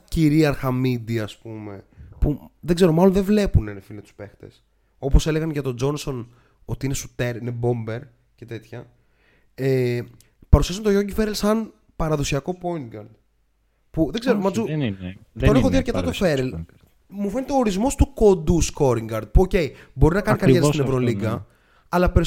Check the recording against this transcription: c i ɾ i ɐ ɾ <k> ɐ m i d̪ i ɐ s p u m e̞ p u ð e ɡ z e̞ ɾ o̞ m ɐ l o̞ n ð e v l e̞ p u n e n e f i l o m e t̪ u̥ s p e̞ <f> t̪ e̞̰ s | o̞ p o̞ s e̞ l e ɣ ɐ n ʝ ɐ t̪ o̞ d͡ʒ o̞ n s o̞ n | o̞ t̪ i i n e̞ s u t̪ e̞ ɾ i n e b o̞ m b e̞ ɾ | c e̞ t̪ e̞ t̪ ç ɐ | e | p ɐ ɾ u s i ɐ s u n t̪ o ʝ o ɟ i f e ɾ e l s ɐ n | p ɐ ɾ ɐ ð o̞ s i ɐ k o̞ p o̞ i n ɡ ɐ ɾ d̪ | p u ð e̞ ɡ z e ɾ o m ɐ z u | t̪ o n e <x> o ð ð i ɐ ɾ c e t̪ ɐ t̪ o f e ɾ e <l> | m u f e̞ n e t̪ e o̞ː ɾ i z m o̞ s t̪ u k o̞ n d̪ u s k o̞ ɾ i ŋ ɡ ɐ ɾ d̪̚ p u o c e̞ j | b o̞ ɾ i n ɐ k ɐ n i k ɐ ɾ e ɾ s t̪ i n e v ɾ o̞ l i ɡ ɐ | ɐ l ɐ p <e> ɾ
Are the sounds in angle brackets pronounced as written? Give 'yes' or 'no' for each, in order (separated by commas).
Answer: no, no, yes, yes, yes